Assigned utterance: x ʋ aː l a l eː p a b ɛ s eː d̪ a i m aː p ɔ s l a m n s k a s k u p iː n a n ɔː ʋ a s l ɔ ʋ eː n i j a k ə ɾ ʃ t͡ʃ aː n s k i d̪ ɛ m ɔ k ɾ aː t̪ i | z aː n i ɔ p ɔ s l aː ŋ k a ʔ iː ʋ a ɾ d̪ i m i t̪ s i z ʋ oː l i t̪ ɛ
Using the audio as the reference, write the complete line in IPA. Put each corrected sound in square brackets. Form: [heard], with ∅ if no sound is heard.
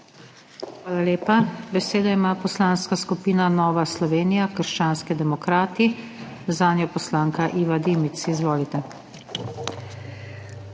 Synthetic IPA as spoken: x ʋ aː l a l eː p a b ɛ s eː d̪ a i m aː p ɔ s l a [∅] n s k a s k u p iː n a n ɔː ʋ a s l ɔ ʋ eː n i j a k ə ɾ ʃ t͡ʃ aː n s k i d̪ ɛ m ɔ k ɾ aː t̪ i | z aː n [j] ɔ p ɔ s l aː ŋ k a ʔ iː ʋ a [∅] d̪ i m i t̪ s i z ʋ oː l i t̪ ɛ